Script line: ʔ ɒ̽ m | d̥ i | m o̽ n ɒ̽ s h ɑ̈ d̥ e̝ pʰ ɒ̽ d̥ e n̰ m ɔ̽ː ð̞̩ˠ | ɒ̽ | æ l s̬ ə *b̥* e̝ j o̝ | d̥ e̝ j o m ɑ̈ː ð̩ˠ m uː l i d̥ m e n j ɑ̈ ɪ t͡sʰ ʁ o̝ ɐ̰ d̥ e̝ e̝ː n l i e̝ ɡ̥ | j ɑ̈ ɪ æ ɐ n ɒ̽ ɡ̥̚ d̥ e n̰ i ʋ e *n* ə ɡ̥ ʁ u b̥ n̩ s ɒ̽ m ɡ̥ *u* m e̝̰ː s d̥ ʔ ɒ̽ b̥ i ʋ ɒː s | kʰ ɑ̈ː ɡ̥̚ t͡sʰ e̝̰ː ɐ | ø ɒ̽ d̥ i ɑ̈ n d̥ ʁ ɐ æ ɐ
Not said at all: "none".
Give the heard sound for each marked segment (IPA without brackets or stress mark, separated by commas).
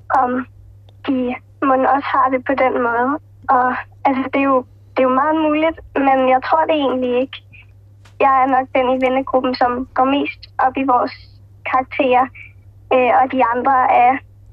d̥, n, ɒ